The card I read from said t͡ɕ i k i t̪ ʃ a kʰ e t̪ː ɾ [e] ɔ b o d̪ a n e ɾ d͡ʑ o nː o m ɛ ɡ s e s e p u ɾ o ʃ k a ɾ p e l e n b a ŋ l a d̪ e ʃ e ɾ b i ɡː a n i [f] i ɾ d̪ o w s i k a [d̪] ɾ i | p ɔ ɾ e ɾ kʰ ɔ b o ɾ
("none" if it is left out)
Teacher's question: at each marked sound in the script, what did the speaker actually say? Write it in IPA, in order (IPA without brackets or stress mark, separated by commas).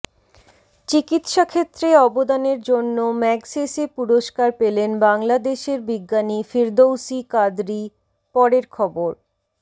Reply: e, f, d̪